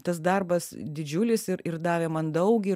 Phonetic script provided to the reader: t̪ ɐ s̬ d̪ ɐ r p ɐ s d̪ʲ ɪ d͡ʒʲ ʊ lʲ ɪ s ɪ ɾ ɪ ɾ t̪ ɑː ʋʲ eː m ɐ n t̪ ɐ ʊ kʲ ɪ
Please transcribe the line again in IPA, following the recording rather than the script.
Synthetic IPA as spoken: t̪ ɐ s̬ d̪ ɐ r b ɐ s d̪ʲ ɪ d͡ʒʲ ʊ lʲ ɪ s ɪ ɾ ɪ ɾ d̪ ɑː ʋʲ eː m ɐ n d̪ ɐ ʊ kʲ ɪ